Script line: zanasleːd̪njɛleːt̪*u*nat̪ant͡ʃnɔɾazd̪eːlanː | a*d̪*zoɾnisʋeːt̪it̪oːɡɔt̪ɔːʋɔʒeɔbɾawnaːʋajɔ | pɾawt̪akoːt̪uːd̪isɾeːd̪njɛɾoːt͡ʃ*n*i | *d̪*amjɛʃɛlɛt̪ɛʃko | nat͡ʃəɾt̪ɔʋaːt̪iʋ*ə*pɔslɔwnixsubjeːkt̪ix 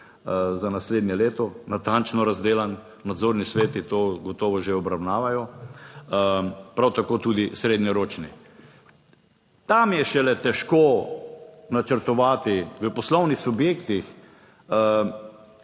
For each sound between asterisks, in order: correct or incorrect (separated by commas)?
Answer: incorrect, correct, correct, incorrect, correct